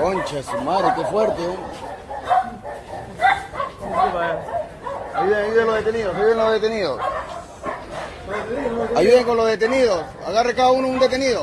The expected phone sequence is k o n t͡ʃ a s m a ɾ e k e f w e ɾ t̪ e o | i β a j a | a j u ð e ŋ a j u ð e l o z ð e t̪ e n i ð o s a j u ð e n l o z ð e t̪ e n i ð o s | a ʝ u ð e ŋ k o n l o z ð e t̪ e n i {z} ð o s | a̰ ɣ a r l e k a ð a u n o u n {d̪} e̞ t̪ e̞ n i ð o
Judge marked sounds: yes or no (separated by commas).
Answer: no, yes